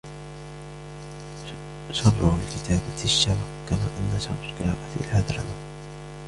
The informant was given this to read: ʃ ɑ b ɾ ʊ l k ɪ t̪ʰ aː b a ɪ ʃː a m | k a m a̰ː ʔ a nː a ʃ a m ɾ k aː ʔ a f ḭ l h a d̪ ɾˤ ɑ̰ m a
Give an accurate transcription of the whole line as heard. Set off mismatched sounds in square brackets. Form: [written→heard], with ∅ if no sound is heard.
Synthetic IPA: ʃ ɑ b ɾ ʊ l k ɪ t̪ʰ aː b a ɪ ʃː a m | k a m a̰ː ʔ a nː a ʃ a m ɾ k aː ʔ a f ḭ l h a d̪ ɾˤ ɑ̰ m a